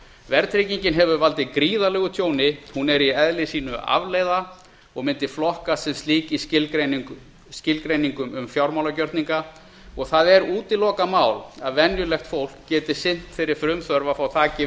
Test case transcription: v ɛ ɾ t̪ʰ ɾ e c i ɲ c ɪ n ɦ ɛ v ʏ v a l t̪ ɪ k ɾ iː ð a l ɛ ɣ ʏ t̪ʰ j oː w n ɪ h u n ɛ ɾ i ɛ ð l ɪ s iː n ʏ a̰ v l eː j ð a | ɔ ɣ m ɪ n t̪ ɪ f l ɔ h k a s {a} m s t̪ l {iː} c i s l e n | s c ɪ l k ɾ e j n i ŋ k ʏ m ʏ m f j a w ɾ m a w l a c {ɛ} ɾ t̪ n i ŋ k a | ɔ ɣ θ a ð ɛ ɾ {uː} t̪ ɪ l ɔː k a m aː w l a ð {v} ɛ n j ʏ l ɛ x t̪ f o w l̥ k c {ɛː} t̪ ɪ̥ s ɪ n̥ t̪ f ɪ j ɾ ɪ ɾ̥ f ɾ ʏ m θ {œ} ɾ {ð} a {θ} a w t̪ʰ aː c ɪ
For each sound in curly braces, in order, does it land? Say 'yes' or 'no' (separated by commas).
no, yes, no, yes, yes, yes, yes, no, no